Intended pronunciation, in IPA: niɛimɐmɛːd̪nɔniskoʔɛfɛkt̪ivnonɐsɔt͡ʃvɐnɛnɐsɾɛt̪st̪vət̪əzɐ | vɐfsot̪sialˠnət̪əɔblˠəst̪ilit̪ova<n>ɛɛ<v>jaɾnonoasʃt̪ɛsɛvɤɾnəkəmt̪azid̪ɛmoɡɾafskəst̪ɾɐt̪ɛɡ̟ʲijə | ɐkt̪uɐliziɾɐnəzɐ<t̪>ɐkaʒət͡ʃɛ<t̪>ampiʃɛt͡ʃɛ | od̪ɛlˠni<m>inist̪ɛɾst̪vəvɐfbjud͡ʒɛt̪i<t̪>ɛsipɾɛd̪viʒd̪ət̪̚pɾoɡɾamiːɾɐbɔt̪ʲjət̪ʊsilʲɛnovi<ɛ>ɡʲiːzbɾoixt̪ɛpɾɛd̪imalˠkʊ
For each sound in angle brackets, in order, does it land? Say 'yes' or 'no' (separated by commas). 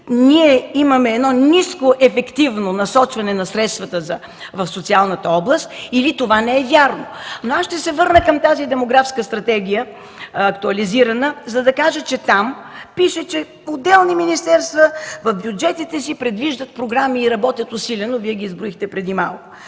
yes, yes, no, yes, yes, yes, yes